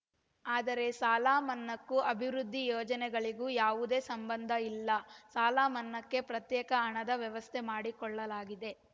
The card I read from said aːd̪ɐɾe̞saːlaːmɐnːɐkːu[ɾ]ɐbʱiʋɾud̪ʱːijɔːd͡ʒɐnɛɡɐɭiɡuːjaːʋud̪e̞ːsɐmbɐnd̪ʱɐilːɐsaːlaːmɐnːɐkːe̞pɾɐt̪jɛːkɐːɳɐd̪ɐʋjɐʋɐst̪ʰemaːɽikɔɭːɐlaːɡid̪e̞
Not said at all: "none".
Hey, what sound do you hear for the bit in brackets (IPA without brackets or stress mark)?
none